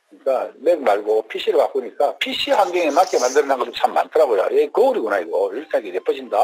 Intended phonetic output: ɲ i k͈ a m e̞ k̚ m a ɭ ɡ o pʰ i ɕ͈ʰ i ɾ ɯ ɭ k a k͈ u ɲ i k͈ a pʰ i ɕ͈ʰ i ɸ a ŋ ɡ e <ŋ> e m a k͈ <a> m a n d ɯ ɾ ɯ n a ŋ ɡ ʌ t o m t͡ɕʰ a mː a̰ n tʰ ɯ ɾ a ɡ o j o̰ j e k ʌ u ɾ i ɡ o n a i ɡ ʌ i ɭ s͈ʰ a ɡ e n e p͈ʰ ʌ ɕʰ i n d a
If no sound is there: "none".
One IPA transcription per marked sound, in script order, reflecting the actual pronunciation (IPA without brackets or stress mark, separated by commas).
ŋ, e